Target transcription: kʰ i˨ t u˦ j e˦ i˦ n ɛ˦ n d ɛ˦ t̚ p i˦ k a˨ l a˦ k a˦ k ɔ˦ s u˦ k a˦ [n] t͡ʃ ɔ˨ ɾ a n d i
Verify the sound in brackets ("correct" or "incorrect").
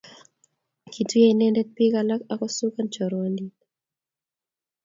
correct